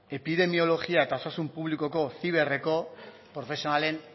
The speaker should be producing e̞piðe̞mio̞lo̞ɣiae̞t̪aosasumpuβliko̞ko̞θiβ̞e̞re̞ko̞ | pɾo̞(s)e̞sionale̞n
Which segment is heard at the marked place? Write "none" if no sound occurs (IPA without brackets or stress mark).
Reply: f